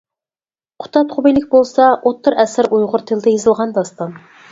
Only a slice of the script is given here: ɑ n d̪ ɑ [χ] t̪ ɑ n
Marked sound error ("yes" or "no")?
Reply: yes